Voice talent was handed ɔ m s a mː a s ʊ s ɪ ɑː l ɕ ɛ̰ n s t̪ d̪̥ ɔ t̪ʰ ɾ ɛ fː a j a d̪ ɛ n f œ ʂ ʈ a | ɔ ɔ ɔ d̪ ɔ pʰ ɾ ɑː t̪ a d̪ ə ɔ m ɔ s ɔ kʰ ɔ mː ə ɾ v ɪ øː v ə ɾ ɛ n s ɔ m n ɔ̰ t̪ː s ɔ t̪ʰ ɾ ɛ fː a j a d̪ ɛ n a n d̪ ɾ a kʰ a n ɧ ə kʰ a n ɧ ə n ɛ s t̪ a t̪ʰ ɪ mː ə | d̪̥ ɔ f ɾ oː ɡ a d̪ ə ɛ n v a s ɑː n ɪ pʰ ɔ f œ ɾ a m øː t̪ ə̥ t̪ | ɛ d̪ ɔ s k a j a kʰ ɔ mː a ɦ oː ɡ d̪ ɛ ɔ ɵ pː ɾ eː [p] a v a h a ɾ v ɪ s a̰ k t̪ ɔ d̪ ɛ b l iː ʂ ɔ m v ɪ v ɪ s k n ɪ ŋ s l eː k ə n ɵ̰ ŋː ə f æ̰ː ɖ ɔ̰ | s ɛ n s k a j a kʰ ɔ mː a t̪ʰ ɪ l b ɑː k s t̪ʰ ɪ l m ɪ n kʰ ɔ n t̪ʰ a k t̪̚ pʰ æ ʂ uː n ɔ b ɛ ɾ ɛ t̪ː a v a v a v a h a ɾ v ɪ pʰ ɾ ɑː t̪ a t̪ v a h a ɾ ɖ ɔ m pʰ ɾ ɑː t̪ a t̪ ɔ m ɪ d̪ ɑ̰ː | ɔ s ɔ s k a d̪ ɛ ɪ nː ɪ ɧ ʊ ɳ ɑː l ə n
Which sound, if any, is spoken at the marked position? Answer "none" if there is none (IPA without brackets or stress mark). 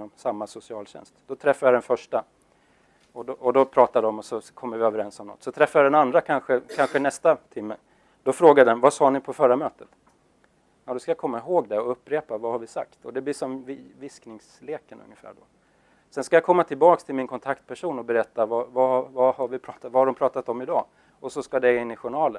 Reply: p